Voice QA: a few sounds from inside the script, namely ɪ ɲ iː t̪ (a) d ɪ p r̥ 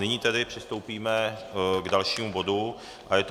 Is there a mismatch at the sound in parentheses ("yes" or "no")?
yes